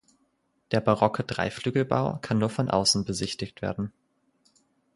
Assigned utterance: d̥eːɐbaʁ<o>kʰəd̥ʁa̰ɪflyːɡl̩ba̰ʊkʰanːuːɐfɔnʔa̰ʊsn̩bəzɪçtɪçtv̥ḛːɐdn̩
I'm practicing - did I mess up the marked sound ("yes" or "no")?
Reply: yes